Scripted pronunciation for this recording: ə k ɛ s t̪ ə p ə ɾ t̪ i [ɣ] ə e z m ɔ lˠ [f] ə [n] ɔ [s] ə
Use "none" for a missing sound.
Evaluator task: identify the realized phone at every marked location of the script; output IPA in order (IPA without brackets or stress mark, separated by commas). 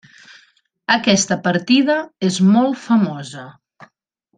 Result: ð, f, m, z